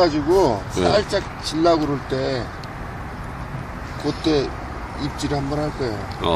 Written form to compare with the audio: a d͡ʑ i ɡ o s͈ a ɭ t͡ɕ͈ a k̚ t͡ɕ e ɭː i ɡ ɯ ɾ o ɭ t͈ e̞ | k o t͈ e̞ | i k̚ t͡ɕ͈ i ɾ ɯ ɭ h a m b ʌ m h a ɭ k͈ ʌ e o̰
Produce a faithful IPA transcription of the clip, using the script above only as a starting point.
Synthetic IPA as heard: a d͡ʑ i ɡ o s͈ a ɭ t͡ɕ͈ a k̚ t͡ɕ i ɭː a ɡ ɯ ɾ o ɭ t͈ e̞ | k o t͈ e̞ | i p̚ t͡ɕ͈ i ɾ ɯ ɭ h a m b ʌ n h a ɭ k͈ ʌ e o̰

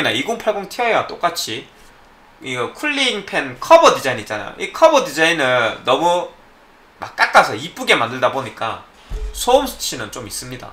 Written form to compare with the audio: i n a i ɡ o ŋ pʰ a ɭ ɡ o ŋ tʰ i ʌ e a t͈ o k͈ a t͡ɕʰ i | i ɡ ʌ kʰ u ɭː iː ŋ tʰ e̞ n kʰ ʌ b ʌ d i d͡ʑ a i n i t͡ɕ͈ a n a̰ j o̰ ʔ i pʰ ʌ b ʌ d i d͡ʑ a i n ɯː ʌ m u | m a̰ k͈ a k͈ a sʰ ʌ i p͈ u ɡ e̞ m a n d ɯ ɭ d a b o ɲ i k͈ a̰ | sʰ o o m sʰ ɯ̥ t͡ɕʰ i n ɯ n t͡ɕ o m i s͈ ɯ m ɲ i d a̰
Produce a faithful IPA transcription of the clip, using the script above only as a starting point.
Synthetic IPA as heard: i n a i ɡ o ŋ pʰ a ɭ ɡ o ŋ tʰ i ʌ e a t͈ o k͈ a t͡ɕʰ i | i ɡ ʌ kʰ u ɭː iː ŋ pʰ e̞ n kʰ ʌ b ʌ d i d͡ʑ a i n i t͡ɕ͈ a n a̰ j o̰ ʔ i kʰ ʌ b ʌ d i d͡ʑ a i n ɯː ʌ m u | m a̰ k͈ a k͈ a sʰ ʌ i p͈ u ɡ e̞ m a n d ɯ ɭ d a b o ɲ i k͈ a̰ | sʰ o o m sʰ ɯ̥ t͡ɕʰ i n ɯ n t͡ɕ o m i s͈ ɯ m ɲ i d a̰

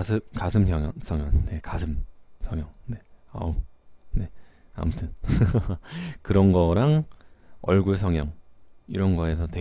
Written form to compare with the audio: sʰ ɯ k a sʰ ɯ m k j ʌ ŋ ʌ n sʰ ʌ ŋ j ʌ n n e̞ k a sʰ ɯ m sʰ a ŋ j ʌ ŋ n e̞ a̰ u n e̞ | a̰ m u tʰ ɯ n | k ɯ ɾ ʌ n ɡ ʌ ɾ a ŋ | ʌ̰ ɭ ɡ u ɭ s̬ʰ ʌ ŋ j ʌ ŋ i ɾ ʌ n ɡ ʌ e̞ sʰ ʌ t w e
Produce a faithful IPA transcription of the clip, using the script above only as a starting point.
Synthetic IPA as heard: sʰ ɯ k a sʰ ɯ m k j ʌ ŋ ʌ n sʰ ʌ ŋ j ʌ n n e̞ k a sʰ ɯ m sʰ ʌ ŋ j ʌ ŋ n e̞ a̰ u n e̞ | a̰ m u tʰ ɯ n | k ɯ ɾ ʌ n ɡ ʌ ɾ a ŋ | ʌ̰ ɭ ɡ u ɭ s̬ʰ ʌ ŋ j ʌ ŋ i ɾ ʌ n ɡ ʌ e̞ sʰ ʌ t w e

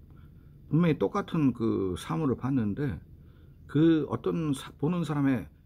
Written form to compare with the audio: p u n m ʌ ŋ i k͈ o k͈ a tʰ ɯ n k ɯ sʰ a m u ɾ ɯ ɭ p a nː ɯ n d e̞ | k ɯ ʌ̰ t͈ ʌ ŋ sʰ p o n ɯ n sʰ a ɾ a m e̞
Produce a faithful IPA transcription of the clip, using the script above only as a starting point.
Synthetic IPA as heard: p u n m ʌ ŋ i t͈ o k͈ a tʰ ɯ n k ɯ sʰ a m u ɾ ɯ ɭ p a nː ɯ n d e̞ | k ɯ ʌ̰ t͈ ʌ n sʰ p o n ɯ n sʰ a ɾ a m e̞

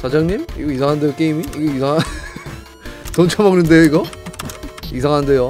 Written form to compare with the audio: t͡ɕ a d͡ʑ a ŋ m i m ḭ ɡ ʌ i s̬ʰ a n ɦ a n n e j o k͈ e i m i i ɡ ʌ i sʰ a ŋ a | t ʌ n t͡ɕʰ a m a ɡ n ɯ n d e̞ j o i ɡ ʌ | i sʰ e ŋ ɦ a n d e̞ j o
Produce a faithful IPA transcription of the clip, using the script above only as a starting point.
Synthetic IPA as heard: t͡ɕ a d͡ʑ a ŋ ɲ i m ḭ ɡ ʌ i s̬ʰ a ŋ ɦ a n d e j o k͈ e i m i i ɡ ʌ i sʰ a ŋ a | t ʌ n t͡ɕʰ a m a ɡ n ɯ n d e̞ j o i ɡ ʌ | i sʰ a ŋ ɦ a n d e̞ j o

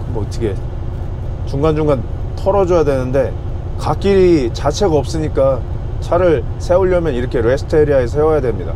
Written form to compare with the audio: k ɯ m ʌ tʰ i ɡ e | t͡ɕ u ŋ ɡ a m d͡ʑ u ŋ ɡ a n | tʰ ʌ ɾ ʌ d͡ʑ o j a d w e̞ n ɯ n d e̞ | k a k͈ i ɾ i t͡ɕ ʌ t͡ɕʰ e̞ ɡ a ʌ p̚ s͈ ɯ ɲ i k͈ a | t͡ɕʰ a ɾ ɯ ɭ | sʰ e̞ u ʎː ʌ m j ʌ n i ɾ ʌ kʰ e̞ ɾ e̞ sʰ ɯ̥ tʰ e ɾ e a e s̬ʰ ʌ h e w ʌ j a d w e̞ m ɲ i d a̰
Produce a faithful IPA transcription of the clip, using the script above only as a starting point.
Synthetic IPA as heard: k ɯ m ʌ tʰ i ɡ e | t͡ɕ u ŋ ɡ a n d͡ʑ u ŋ ɡ a n | tʰ ʌ ɾ ʌ d͡ʑ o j a d w e̞ n ɯ n d e̞ | k a k͈ i ɾ i t͡ɕ a t͡ɕʰ e̞ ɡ a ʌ p̚ s͈ ɯ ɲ i k͈ a | t͡ɕʰ a ɾ ɯ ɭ | sʰ e̞ u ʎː ʌ m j ʌ n i ɾ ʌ kʰ e̞ ɾ e̞ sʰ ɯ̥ tʰ e ɾ i a e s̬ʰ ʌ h e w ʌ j a d w e̞ m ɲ i d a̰

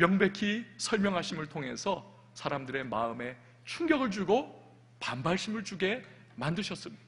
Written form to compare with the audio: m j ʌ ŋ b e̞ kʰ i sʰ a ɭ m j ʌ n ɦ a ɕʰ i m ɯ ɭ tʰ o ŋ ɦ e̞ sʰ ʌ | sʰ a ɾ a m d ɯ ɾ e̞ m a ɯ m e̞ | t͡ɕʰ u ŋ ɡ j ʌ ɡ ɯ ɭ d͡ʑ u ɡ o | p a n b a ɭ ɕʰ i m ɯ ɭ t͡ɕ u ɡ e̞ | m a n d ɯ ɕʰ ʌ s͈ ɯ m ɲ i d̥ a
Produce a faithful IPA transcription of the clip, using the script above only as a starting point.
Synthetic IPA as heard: m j ʌ ŋ b e̞ kʰ i sʰ ʌ ɭ m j ʌ ŋ ɦ a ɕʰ i m ɯ ɭ tʰ o ŋ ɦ e̞ sʰ ʌ | sʰ a ɾ a m d ɯ ɾ e̞ m a ɯ m e̞ | t͡ɕʰ u ŋ ɡ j ʌ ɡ ɯ ɭ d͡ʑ u ɡ o | p a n b a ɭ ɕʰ i m ɯ ɭ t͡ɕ u ɡ e̞ | m a n d ɯ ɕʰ ʌ s͈ ɯ m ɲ i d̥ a

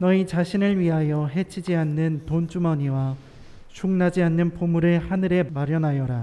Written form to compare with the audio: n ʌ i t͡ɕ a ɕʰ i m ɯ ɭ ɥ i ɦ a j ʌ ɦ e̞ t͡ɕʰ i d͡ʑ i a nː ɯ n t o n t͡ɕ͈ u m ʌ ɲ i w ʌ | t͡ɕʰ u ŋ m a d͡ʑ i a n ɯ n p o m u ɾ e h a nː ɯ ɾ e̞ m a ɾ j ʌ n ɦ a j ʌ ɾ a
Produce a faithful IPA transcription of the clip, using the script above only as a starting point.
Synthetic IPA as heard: n ʌ i t͡ɕ a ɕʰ i n ɯ ɭ ɥ i ɦ a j ʌ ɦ e̞ t͡ɕʰ i d͡ʑ i a nː ɯ n t o n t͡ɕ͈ u m ʌ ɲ i w a | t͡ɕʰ u ŋ n a d͡ʑ i a nː ɯ n p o m u ɾ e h a n ɯ ɾ e̞ m a ɾ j ʌ n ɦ a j ʌ ɾ a

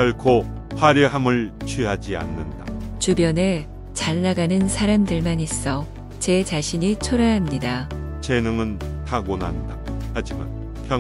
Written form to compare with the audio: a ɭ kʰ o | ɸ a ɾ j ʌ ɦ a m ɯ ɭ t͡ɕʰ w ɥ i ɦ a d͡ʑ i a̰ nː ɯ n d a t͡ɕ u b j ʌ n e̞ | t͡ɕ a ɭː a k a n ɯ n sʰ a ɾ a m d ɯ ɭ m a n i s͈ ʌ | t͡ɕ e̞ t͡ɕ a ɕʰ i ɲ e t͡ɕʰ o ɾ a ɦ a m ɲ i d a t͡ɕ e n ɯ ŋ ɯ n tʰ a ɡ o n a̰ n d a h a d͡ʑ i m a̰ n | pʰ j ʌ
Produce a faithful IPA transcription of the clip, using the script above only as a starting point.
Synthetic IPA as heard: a ɭ kʰ o | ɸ a ɾ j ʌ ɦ a m ɯ ɭ t͡ɕʰ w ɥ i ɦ a d͡ʑ i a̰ nː ɯ n d a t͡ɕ u b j ʌ n e̞ | t͡ɕ a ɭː a ɡ a n ɯ n sʰ a ɾ a m d ɯ ɭ m a n i s͈ ʌ | t͡ɕ e̞ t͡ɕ a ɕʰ i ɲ i t͡ɕʰ o ɾ a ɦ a m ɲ i d a t͡ɕ e n ɯ ŋ ɯ n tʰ a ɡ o n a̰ n d a h a d͡ʑ i m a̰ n | pʰ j ʌ

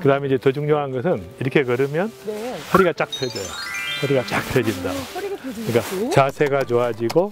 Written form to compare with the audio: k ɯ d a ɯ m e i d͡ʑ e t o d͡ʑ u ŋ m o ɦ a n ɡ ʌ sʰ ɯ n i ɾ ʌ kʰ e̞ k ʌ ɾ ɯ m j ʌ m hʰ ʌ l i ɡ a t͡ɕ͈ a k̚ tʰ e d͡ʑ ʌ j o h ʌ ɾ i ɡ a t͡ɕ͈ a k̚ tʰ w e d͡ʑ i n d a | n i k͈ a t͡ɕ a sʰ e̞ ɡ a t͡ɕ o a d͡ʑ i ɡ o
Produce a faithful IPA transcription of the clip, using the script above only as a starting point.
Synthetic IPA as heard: k ɯ d a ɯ m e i d͡ʑ e t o d͡ʑ u ŋ ɲ o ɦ a n ɡ ʌ sʰ ɯ n i ɾ ʌ kʰ e̞ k ʌ ɾ ɯ m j ʌ n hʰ ʌ ɾ i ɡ a t͡ɕ͈ a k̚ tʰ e d͡ʑ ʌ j o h ʌ ɾ i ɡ a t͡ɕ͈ a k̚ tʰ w e d͡ʑ i n d a | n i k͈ a t͡ɕ a sʰ e̞ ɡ a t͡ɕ o a d͡ʑ i ɡ o

